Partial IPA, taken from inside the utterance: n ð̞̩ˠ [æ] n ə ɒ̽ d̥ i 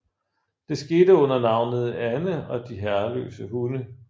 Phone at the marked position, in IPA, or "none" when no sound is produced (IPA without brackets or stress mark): æ